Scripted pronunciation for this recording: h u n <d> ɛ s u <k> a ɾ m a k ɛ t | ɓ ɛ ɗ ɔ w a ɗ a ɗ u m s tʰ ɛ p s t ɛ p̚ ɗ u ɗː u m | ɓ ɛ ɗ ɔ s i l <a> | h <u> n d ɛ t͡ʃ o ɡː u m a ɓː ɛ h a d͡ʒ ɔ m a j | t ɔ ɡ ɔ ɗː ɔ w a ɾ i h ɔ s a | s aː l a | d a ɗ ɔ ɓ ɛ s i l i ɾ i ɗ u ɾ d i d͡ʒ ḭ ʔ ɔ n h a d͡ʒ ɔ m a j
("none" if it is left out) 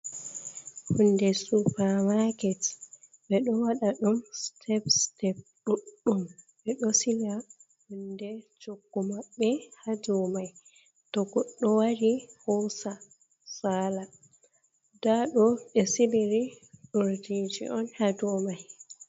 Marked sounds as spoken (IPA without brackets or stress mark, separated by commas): d, p, a, u